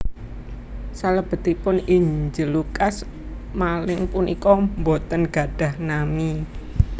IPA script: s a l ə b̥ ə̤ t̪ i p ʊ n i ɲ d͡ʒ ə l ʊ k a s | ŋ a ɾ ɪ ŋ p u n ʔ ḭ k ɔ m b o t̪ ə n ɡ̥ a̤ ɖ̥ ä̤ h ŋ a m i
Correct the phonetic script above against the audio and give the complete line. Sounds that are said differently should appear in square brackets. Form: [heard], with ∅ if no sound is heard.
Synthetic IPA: s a l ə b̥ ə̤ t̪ i p ʊ n i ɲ d͡ʒ ə l [u] k a s | [m] a [l] ɪ ŋ p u n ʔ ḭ k ɔ m b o t̪ ə n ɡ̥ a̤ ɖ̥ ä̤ h [n] a m i